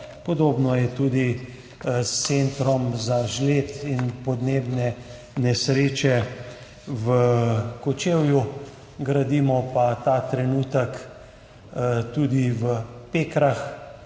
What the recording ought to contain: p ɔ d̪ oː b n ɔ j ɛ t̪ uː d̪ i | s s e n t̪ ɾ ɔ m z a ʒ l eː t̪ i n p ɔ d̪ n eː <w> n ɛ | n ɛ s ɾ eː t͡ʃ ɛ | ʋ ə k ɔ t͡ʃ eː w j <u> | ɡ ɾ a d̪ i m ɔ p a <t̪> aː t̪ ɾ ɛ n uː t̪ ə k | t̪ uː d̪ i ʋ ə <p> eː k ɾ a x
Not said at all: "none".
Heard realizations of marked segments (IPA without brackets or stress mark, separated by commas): b, u, t̪, p